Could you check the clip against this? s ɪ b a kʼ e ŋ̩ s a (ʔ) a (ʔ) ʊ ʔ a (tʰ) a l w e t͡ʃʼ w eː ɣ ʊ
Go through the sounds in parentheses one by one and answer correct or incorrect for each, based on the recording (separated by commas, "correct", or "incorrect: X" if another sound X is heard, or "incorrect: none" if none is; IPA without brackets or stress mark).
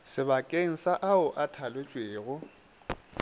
correct, incorrect: none, correct